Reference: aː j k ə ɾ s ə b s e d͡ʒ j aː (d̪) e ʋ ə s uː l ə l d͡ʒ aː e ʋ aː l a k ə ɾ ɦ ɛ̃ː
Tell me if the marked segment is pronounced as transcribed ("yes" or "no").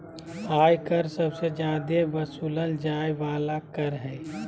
yes